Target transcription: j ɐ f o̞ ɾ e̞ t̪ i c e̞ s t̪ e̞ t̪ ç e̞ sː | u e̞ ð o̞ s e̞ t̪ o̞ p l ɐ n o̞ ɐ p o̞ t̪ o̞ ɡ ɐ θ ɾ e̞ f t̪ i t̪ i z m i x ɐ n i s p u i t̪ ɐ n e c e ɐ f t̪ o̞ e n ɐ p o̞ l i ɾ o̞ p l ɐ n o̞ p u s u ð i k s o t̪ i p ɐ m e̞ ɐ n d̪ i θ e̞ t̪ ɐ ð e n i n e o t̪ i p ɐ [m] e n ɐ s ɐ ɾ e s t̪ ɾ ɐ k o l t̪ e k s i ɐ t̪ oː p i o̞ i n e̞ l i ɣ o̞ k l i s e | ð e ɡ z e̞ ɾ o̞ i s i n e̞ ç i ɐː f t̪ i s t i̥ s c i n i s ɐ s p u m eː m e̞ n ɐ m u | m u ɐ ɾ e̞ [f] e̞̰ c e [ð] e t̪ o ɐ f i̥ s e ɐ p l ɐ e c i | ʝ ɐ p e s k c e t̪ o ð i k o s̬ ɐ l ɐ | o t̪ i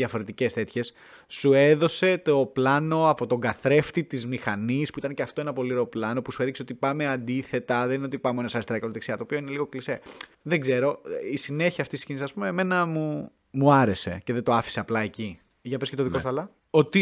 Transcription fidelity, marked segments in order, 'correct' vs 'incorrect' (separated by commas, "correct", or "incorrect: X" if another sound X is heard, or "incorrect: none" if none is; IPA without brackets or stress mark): correct, incorrect: s, correct